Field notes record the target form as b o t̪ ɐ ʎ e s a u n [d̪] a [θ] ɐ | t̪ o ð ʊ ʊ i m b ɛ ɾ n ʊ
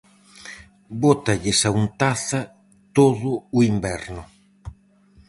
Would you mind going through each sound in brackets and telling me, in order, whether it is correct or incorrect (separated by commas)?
incorrect, correct